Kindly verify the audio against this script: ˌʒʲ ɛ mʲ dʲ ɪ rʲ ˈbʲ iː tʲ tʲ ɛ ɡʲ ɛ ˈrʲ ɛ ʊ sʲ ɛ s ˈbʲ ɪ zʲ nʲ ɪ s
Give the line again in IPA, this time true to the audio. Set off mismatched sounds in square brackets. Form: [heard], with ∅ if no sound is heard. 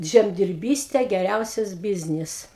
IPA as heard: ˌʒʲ ɛ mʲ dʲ ɪ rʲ ˈbʲ iː [sʲ] tʲ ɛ ɡʲ ɛ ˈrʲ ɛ ʊ sʲ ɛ s ˈbʲ ɪ zʲ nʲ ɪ s